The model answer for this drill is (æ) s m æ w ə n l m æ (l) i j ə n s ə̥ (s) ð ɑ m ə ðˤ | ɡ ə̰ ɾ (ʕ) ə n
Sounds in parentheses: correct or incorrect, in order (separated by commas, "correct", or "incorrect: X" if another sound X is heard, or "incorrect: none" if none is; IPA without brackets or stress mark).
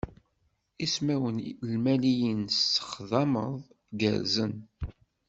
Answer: incorrect: i, correct, incorrect: χ, incorrect: z